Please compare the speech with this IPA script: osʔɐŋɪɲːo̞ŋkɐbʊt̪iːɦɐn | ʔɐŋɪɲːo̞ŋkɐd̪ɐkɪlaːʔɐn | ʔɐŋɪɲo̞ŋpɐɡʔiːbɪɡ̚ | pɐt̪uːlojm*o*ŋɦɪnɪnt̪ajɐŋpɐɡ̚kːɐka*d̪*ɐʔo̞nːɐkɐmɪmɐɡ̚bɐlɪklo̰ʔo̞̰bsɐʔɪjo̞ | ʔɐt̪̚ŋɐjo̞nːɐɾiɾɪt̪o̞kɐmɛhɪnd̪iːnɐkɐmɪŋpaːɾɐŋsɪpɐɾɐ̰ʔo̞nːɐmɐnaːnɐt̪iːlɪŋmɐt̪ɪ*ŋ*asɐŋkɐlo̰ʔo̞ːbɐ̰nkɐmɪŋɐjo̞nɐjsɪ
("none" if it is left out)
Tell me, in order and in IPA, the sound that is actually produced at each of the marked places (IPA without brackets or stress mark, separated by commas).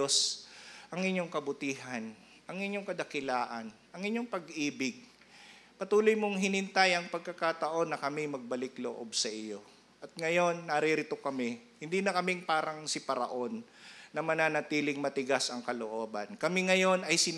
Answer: o, t̪, ɡ